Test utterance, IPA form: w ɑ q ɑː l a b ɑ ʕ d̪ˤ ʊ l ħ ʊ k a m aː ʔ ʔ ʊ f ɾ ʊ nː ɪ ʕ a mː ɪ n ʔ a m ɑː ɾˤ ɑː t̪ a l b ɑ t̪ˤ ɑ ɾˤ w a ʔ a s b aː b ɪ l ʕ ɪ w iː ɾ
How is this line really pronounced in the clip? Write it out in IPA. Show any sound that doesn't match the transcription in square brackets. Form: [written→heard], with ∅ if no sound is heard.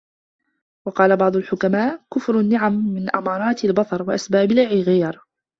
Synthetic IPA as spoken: w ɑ q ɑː l a b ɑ ʕ d̪ˤ ʊ l ħ ʊ k a m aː ʔ [ʔ→k] ʊ f ɾ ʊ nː ɪ ʕ a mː ɪ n ʔ a m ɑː ɾˤ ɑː t̪ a l b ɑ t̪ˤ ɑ ɾˤ w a ʔ a s b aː b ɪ l ʕ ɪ [w→ɣ] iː ɾ